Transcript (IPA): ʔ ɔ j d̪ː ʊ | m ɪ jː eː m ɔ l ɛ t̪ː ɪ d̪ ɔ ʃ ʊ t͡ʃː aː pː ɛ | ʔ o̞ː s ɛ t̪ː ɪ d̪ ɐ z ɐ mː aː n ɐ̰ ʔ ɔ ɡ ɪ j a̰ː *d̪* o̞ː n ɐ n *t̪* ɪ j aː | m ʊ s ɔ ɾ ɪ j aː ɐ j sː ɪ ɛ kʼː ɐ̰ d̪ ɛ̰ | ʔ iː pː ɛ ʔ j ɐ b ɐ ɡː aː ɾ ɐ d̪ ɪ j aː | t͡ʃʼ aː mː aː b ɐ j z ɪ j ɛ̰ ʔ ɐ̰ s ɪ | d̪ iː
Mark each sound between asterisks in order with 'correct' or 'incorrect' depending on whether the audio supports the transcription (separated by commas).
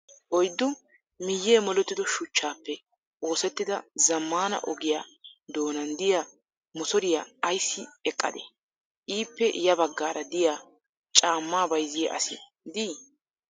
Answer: correct, incorrect